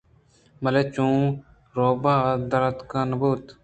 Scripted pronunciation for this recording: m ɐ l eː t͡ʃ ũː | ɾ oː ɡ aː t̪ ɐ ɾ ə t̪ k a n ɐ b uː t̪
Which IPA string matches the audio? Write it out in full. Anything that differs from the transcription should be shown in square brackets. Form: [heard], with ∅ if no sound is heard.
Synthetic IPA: m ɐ l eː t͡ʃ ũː | ɾ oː [b] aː [d̪] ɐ ɾ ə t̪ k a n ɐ b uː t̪